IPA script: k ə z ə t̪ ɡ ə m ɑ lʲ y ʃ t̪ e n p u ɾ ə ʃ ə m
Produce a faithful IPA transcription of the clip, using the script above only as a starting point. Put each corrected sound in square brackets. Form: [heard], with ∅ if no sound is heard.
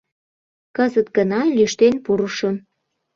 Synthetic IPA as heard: k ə z ə t̪ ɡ ə [n] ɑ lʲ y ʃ t̪ e n p u ɾ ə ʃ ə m